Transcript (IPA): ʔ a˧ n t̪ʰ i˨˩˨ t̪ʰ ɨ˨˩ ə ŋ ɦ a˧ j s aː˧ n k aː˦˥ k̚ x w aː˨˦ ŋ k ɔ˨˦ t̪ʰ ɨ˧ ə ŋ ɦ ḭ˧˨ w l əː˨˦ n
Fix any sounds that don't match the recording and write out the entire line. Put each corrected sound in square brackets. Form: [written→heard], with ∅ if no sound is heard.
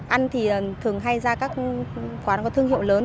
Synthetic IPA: ʔ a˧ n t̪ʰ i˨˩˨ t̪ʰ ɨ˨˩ ə ŋ ɦ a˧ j [s→z] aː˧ [n→∅] k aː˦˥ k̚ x w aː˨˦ [ŋ→n] k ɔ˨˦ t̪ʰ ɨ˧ ə ŋ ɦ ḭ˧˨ w l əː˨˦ n